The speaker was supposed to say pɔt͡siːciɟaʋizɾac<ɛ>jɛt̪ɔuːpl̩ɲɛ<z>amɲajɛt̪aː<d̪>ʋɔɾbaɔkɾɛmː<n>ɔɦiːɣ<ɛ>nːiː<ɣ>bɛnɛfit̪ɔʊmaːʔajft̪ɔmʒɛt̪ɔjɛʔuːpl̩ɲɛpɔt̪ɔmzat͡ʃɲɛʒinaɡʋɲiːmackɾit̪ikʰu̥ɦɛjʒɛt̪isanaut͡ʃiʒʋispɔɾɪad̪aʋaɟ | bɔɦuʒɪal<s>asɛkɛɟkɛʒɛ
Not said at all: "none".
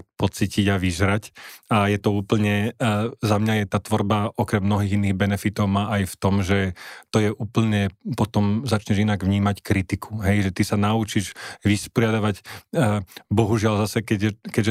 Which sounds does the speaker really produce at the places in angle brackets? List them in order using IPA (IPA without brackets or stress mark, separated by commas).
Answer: a, z, t̪, n, i, ɣ, z